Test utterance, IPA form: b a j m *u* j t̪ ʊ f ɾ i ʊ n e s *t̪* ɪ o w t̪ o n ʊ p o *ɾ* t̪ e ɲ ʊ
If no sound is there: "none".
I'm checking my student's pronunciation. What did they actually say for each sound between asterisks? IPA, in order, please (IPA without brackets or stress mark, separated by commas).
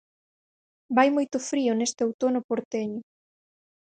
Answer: o, t̪, ɾ